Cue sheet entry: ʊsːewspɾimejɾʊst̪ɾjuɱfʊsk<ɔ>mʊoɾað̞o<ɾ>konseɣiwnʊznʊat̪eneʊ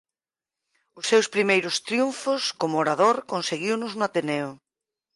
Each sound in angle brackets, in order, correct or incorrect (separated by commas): incorrect, correct